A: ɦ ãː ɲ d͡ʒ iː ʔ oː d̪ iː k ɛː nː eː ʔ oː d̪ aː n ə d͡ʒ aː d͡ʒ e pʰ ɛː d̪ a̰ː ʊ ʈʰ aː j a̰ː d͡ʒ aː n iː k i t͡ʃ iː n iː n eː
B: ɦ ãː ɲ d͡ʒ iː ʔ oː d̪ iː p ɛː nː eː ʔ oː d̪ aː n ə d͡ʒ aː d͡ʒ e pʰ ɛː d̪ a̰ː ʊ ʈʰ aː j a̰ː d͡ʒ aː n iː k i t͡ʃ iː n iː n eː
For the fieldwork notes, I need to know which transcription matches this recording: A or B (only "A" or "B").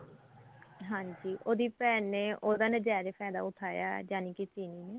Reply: B